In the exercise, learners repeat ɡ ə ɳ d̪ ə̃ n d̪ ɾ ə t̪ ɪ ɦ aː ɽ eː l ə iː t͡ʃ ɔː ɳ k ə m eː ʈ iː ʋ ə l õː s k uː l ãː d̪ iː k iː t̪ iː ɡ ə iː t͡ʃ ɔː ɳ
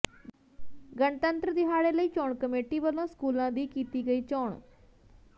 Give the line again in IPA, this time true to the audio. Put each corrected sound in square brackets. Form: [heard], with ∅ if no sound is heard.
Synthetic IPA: ɡ ə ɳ [t̪] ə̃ n [t̪] ɾ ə [d̪] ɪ ɦ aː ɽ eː l ə iː t͡ʃ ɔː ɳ k ə m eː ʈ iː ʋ ə l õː s k uː l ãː d̪ iː k iː t̪ iː ɡ ə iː t͡ʃ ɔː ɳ